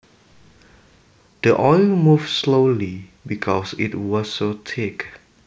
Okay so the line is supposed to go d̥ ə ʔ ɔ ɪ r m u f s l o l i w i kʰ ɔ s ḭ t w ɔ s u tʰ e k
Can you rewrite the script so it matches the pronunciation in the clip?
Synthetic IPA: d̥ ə ʔ ɔ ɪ l m u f s l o l i b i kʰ ɔ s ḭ t w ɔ s o tʰ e k